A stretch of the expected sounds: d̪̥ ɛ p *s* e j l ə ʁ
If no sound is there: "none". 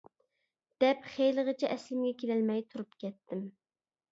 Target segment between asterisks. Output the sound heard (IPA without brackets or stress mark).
χ